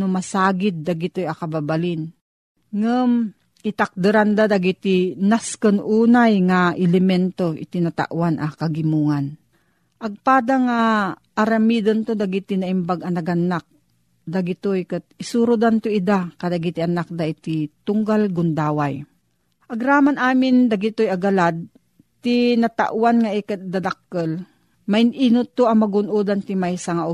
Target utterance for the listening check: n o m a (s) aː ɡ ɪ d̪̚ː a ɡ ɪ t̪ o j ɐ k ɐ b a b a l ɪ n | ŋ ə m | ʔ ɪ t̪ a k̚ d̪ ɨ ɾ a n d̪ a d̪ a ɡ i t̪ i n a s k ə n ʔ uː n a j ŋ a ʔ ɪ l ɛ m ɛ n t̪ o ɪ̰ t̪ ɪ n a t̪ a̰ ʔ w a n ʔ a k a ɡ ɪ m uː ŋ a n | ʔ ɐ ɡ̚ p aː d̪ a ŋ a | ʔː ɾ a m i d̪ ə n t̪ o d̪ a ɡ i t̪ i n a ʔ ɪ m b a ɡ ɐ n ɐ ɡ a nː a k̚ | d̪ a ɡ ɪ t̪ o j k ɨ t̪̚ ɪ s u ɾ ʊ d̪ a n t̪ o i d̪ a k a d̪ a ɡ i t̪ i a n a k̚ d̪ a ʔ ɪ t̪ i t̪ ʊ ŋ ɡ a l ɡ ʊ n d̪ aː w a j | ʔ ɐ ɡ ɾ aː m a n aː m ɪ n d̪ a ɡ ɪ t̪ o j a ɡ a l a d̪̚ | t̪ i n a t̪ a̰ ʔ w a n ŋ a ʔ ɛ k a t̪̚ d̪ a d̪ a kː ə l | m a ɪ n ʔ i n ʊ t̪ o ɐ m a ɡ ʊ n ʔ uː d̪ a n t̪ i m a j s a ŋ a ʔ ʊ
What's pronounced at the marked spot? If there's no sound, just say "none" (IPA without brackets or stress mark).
s